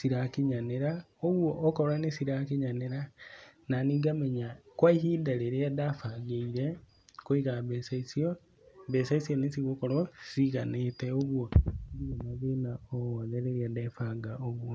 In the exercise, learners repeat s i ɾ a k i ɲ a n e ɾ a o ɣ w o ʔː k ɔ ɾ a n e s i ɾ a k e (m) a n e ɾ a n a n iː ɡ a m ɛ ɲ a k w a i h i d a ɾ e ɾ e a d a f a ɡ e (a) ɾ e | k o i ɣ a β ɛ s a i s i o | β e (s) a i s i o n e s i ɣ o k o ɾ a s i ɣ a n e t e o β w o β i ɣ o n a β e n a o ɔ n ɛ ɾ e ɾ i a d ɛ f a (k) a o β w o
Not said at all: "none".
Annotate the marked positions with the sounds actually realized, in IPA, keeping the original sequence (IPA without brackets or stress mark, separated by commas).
ɲ, i, s, ɡ